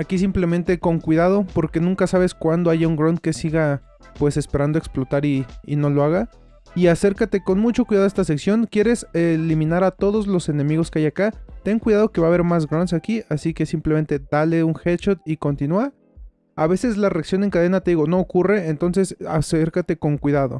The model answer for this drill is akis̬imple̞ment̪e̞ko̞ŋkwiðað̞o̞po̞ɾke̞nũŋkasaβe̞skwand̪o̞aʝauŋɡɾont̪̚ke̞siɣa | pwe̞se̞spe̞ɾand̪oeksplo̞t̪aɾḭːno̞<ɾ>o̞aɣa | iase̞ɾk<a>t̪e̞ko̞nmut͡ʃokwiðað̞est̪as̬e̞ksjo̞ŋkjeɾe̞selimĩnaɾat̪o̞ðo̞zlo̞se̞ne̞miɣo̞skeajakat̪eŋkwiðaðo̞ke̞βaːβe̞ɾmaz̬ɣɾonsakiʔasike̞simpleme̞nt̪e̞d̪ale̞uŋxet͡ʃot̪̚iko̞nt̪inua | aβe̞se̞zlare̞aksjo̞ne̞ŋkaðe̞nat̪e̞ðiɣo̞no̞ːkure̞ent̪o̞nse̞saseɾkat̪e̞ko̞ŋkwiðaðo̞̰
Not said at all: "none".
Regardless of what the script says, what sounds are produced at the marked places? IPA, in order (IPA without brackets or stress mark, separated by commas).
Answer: l, a